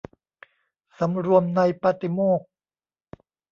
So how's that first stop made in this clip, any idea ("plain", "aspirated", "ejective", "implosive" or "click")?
plain